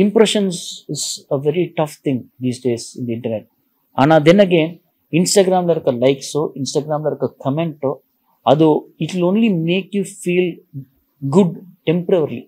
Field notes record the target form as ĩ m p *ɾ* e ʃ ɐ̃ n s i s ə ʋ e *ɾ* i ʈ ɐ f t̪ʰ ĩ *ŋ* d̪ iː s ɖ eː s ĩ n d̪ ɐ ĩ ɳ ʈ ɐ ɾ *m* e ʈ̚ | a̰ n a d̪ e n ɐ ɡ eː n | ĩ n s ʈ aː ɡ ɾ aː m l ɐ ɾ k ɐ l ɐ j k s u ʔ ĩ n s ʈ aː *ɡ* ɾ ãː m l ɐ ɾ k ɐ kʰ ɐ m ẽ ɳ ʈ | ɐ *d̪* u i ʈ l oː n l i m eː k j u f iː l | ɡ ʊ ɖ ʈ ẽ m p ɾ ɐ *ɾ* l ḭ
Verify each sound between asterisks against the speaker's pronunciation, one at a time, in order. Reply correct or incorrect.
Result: correct, correct, correct, incorrect, correct, correct, correct

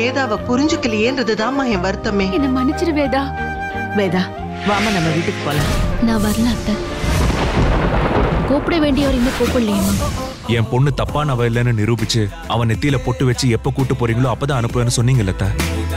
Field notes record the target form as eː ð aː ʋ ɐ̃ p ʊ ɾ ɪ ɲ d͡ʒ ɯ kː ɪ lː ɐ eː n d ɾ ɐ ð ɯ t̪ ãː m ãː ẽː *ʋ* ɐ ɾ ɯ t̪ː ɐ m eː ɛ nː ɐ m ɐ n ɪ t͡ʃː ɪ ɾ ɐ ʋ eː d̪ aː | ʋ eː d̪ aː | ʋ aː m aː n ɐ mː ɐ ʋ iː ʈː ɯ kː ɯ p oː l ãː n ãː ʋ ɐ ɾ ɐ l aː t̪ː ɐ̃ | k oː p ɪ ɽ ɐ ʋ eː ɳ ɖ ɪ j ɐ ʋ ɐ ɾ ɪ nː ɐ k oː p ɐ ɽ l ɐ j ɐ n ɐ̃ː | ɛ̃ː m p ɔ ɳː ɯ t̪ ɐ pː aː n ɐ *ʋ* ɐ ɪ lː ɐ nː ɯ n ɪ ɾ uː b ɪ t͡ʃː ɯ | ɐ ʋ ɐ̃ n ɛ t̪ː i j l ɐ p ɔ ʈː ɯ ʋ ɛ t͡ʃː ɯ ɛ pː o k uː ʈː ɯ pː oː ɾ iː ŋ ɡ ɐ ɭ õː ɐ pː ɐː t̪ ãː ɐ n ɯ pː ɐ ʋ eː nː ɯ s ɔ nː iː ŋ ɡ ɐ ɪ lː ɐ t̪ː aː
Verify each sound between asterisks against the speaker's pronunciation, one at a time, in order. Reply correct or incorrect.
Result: correct, correct

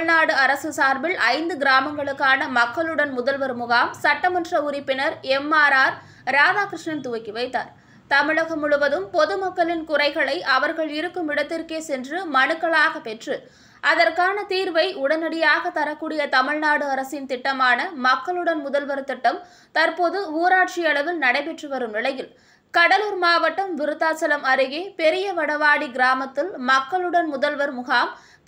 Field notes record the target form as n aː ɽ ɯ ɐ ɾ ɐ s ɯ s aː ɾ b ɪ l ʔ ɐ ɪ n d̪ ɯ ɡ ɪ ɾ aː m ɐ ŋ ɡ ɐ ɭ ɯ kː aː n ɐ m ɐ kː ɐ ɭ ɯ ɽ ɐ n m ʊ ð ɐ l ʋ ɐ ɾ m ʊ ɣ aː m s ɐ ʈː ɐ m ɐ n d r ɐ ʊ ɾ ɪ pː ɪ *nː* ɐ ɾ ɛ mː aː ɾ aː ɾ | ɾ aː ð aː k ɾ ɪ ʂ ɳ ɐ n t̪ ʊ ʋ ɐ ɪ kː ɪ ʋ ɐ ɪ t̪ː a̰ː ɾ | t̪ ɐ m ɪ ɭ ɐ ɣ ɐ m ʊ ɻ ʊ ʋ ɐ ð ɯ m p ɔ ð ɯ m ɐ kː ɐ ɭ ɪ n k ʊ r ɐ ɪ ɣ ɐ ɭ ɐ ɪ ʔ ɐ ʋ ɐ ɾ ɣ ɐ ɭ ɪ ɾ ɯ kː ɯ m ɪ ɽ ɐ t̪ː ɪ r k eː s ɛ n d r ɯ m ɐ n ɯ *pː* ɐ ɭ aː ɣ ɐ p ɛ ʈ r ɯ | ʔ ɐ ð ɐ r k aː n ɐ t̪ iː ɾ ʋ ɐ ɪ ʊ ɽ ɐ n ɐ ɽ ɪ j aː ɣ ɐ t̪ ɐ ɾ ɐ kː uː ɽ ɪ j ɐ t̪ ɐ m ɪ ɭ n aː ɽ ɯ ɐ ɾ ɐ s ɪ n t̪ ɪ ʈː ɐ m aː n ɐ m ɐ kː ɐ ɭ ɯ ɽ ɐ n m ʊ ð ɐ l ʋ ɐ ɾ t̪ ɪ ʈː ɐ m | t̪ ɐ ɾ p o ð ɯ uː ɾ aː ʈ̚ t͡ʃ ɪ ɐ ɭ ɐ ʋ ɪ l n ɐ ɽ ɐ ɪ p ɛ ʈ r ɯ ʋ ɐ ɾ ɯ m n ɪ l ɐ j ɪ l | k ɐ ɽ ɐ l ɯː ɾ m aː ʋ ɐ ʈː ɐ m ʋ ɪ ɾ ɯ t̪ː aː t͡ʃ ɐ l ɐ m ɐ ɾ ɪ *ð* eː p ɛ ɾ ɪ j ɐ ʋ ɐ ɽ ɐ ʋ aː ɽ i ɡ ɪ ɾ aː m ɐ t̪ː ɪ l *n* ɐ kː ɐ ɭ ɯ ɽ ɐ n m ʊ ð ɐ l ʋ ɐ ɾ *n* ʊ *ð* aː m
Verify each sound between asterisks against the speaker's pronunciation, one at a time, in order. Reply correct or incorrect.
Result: incorrect, incorrect, incorrect, incorrect, incorrect, incorrect

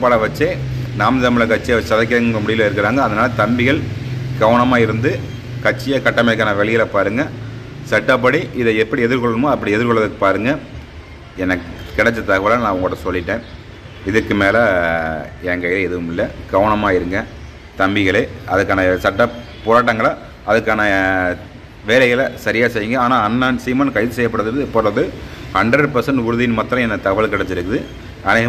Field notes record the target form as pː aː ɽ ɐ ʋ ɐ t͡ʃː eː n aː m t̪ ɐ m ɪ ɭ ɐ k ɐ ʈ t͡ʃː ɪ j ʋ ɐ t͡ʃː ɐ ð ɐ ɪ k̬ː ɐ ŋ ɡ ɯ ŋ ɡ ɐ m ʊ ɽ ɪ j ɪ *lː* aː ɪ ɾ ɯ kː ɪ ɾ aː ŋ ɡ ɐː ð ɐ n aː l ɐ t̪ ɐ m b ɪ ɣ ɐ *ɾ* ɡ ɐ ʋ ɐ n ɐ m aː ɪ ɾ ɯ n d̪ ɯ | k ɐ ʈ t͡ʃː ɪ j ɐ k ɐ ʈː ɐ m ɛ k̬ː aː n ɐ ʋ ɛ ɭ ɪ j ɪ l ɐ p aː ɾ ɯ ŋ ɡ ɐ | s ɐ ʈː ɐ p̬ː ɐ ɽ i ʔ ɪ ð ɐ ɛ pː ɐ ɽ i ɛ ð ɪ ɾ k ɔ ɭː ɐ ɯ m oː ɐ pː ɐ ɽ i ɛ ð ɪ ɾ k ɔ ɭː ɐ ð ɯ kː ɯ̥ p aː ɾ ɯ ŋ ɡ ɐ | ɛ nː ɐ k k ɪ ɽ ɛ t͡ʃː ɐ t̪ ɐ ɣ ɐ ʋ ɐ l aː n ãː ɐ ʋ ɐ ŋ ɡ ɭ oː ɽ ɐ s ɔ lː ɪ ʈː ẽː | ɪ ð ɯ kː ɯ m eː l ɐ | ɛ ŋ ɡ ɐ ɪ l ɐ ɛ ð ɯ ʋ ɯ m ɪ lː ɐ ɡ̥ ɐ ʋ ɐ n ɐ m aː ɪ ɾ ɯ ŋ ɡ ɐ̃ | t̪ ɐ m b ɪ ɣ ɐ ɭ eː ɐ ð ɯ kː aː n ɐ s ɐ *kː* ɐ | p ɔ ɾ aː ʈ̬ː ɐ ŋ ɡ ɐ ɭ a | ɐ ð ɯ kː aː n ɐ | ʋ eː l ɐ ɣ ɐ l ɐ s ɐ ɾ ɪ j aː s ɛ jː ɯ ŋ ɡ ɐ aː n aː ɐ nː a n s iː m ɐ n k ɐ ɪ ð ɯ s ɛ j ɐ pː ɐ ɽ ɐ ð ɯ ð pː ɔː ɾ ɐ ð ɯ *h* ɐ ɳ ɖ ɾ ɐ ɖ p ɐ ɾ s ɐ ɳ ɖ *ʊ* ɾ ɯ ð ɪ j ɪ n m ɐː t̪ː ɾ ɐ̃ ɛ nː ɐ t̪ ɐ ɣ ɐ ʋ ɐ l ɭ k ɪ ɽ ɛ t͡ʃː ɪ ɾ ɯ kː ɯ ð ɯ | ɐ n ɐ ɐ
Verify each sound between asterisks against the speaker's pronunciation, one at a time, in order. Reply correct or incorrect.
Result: incorrect, incorrect, incorrect, correct, correct

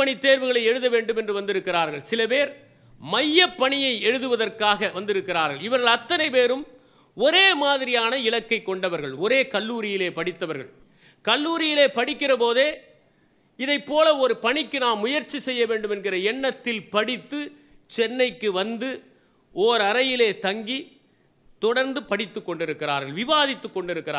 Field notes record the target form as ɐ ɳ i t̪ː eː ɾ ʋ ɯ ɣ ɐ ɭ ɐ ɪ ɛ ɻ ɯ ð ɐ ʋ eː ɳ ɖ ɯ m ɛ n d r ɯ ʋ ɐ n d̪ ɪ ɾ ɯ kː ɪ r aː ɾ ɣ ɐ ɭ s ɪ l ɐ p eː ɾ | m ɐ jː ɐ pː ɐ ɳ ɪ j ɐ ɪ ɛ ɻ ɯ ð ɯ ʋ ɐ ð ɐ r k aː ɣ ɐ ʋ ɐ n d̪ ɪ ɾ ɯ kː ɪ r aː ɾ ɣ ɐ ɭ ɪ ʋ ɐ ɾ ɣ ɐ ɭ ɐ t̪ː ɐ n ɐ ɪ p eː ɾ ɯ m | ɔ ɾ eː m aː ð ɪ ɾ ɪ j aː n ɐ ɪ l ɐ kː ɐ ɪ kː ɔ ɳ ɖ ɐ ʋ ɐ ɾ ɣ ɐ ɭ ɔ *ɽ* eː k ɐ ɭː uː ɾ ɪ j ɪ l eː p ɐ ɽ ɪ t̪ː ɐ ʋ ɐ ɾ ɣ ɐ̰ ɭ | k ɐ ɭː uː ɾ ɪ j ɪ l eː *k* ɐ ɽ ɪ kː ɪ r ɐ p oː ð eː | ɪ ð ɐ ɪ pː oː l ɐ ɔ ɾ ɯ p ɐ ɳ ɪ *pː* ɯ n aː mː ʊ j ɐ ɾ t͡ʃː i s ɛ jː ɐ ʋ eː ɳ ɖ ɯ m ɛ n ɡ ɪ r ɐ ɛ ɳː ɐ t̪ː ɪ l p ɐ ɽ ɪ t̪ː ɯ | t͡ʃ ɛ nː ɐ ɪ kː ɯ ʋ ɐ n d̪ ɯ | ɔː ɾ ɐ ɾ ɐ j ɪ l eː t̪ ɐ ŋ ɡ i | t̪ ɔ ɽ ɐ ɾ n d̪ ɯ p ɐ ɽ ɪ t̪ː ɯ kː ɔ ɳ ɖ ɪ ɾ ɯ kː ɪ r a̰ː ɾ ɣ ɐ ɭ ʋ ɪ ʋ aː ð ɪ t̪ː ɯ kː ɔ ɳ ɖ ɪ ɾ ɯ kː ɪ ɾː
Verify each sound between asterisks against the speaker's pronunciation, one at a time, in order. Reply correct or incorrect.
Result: incorrect, incorrect, incorrect

